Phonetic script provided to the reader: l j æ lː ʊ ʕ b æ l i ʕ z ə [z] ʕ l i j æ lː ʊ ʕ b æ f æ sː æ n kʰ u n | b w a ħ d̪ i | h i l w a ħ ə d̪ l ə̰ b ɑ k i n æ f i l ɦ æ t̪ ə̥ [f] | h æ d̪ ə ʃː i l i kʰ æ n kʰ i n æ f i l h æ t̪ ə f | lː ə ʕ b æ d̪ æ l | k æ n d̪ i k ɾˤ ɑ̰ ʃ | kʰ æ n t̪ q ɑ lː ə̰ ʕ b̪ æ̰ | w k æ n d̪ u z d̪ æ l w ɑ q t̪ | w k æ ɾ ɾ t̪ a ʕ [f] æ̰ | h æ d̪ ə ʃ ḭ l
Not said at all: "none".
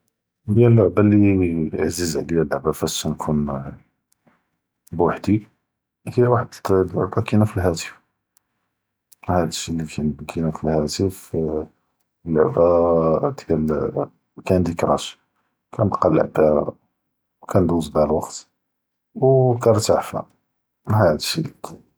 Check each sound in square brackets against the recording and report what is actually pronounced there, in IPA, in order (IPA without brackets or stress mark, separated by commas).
z, f, f